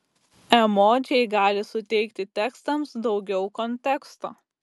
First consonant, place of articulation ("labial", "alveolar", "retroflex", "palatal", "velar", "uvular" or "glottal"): labial